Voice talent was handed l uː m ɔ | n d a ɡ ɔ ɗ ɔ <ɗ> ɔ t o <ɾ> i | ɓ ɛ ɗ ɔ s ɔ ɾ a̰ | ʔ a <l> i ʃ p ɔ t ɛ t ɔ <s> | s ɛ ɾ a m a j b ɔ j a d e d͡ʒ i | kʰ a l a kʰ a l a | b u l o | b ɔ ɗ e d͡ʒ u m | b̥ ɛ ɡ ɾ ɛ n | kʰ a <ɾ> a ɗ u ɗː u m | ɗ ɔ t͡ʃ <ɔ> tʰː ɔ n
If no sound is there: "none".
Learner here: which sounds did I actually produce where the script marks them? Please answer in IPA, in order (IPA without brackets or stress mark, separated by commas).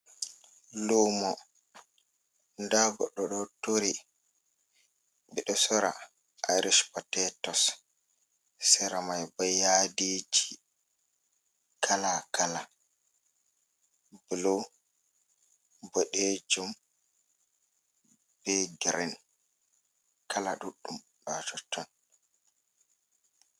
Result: ɗ, ɾ, ɾ, s, l, ɔ